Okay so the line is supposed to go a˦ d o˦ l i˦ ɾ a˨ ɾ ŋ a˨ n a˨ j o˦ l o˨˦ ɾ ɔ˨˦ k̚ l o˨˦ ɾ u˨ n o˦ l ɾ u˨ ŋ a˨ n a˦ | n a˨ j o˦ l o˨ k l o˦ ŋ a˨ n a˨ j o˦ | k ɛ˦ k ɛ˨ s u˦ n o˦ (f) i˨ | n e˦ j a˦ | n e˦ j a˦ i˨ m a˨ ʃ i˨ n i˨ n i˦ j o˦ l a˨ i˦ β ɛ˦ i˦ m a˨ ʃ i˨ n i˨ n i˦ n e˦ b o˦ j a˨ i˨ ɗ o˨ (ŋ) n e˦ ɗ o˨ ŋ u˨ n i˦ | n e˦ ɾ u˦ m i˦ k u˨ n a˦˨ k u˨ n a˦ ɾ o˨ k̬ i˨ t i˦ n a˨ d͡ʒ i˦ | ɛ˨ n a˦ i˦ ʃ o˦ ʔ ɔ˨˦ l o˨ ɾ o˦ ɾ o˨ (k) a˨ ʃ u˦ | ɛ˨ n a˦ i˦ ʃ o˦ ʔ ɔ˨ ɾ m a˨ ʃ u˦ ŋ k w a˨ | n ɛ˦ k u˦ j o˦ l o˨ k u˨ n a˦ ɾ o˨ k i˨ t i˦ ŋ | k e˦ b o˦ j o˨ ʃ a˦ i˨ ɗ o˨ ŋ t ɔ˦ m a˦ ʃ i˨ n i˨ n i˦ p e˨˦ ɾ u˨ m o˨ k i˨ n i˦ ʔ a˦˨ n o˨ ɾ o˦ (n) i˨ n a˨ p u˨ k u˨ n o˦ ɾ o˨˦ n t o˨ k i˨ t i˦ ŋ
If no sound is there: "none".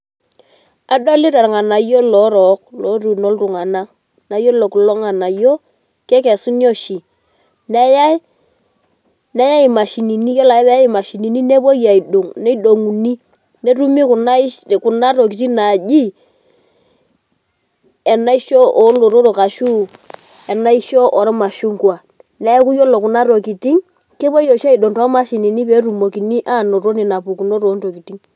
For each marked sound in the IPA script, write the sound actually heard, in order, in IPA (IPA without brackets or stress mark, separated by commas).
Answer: ʃ, ŋ, k, n